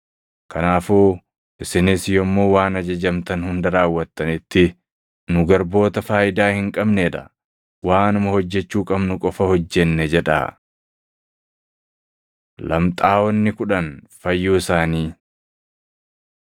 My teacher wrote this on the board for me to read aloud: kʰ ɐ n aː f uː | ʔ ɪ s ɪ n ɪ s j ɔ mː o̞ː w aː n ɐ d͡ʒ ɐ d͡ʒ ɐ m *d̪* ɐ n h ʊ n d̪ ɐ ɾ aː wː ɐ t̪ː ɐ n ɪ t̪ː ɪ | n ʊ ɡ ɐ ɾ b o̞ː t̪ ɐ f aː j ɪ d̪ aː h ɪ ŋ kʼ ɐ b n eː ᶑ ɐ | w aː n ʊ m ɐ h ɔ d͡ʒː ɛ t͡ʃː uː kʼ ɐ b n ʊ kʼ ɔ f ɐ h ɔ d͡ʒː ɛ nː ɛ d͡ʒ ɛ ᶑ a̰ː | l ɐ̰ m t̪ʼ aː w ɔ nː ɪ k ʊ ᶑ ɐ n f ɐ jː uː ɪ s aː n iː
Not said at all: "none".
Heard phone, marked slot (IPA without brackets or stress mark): t̪